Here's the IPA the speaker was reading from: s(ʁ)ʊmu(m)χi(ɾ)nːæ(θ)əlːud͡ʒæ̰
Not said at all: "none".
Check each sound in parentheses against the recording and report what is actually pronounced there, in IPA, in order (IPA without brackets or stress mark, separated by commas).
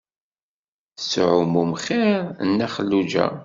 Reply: ʕ, m, ɾ, χ